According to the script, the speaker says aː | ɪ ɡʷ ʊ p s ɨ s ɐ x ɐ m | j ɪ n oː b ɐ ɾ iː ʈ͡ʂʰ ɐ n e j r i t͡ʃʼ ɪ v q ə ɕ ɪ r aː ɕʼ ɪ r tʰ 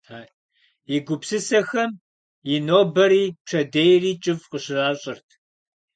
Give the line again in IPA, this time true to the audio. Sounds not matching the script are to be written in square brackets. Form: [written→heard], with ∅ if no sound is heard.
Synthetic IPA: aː | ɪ ɡʷ ʊ p s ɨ s ɐ x ɐ m | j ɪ n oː b ɐ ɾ iː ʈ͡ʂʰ ɐ [n→d] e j r [i→iː] t͡ʃʼ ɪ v q ə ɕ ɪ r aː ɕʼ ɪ r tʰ